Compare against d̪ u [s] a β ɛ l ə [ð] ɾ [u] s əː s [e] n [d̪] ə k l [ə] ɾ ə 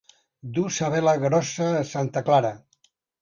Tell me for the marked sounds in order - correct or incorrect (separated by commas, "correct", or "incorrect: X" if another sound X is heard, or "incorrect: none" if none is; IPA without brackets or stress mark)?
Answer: correct, incorrect: ɣ, incorrect: ɔ, incorrect: a, incorrect: t̪, incorrect: a